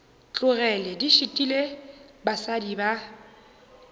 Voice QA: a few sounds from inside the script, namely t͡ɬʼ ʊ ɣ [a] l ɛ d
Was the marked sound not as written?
yes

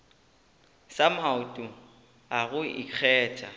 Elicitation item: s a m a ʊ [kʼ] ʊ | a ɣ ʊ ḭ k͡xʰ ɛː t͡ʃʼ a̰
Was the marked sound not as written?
yes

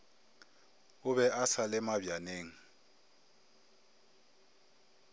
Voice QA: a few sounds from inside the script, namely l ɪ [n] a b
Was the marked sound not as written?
yes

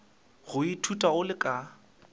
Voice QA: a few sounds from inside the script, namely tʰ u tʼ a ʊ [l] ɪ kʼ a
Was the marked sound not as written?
no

